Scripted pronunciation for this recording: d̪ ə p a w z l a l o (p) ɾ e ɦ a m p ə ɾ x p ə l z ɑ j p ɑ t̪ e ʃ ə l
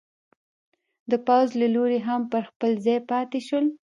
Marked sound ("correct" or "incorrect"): incorrect